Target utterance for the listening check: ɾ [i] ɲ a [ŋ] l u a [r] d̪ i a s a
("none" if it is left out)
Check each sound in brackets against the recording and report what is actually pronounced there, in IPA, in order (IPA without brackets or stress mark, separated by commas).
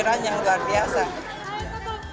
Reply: a, ŋ, r